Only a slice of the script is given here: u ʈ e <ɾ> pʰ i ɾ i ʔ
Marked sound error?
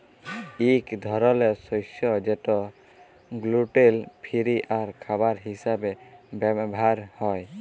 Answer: yes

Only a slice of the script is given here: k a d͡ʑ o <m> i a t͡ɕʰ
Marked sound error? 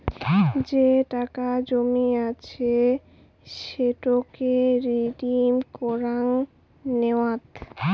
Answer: no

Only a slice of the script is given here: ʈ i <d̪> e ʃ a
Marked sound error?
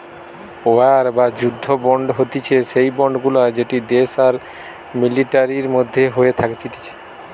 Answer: no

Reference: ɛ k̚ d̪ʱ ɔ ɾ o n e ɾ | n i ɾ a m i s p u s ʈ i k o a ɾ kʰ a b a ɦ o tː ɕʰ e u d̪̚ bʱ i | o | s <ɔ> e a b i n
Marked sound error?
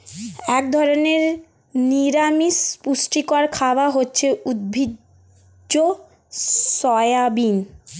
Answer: no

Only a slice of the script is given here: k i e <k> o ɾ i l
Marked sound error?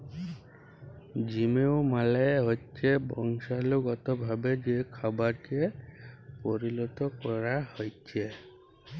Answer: yes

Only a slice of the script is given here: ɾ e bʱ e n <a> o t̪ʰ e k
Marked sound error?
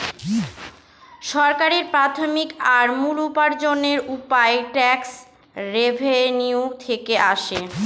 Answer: yes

